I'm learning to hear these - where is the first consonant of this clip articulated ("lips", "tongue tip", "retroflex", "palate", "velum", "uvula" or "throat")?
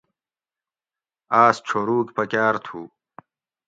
tongue tip